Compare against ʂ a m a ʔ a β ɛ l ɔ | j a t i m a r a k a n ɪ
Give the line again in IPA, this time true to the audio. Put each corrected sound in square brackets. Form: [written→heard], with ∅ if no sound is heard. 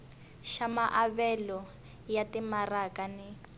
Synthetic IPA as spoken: [ʂ→ʃ] a m a ʔ a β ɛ l ɔ | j a t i m a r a k a n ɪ